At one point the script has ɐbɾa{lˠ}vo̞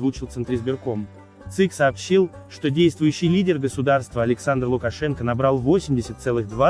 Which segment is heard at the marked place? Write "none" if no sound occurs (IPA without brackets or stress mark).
lˠ